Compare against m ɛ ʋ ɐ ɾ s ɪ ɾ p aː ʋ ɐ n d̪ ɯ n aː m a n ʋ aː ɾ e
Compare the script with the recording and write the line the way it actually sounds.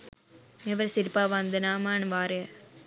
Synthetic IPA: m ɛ ʋ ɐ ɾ s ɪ ɾ p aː ʋ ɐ n d̪ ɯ n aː m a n ʋ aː ɾ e